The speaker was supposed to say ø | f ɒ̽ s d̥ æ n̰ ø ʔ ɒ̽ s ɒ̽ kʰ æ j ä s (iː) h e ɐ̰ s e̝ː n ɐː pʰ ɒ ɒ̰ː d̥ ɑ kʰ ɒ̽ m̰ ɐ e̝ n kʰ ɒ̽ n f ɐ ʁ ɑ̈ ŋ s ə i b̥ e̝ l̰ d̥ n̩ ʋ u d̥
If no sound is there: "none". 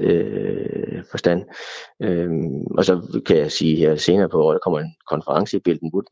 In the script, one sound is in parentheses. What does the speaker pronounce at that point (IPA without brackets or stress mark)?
iː